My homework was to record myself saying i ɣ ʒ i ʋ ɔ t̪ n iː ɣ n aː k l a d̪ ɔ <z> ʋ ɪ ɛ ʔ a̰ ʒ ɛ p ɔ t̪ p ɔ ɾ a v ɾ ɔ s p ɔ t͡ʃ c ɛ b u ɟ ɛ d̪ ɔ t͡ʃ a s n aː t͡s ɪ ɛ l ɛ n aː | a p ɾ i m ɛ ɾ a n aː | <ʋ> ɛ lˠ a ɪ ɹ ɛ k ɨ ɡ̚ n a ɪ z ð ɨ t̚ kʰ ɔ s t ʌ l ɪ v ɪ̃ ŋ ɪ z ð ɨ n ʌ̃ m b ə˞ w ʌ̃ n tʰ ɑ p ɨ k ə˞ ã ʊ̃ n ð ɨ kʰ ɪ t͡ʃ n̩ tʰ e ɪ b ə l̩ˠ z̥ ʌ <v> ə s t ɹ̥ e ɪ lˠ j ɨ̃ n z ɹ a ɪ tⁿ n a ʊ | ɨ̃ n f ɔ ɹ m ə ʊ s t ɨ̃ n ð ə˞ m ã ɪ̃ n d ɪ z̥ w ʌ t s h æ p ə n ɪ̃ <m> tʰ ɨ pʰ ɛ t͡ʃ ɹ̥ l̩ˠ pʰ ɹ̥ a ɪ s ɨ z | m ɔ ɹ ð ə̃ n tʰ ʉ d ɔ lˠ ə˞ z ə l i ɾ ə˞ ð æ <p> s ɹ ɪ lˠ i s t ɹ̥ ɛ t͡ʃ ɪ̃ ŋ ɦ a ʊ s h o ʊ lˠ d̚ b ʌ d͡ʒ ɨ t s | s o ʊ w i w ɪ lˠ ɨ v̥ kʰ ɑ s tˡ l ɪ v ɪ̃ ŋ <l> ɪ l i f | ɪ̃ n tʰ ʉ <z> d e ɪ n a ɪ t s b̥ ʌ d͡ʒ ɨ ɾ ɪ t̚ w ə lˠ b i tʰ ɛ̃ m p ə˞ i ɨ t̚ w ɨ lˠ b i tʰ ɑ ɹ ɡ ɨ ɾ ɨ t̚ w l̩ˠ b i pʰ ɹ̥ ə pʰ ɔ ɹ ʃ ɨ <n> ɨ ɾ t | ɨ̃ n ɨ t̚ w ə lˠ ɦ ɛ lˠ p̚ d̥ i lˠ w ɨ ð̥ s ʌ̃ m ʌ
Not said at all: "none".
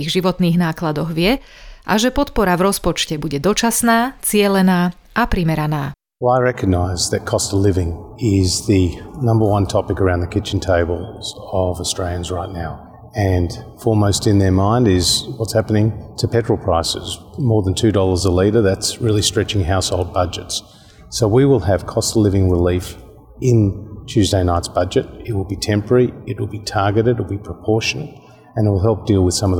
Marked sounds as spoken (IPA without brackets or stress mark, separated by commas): ɣ, w, v, ŋ, t, ɹ, z, n